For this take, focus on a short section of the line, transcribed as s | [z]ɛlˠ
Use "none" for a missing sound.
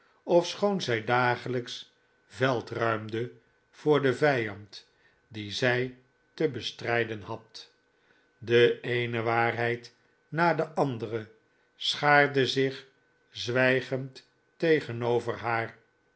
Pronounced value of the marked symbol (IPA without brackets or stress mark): v